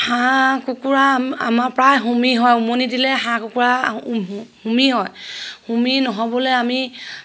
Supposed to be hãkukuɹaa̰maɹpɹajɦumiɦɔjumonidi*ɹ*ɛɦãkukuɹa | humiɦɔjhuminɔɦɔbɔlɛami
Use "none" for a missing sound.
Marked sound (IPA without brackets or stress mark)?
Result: l